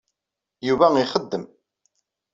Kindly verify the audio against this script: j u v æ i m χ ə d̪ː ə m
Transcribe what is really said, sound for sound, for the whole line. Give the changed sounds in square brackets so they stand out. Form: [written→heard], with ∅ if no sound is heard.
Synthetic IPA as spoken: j u v æ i [m→∅] χ ə d̪ː ə m